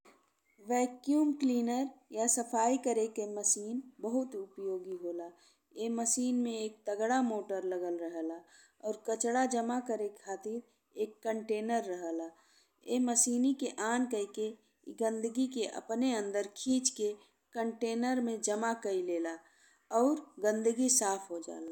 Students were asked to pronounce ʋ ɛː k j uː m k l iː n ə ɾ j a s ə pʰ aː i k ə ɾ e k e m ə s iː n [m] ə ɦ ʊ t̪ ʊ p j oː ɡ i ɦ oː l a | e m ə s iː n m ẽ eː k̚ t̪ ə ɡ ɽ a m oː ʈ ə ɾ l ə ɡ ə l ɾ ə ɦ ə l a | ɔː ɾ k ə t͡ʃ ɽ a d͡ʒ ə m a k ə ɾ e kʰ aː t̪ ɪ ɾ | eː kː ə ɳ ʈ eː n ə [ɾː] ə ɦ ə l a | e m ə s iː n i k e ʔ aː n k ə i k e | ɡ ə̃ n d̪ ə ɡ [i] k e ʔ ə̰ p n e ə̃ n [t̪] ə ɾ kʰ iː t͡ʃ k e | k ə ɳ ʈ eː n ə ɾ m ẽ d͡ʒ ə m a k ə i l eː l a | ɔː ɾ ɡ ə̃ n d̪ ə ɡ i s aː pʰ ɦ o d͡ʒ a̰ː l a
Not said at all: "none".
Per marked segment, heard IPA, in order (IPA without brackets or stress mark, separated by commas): b, ɾː, i, d̪